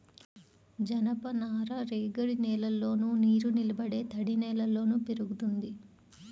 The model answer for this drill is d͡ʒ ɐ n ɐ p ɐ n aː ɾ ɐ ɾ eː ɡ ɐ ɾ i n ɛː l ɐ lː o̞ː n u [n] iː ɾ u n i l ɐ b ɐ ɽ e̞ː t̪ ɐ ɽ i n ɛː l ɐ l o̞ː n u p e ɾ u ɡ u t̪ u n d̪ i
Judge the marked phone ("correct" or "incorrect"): correct